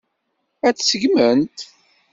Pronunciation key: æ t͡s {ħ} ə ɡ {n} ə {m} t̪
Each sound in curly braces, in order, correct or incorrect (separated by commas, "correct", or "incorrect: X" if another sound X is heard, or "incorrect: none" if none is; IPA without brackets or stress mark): incorrect: s, incorrect: m, incorrect: n